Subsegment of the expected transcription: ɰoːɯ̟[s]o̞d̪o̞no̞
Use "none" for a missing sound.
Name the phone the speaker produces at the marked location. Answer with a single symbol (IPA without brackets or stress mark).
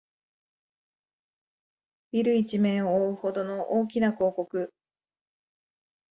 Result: h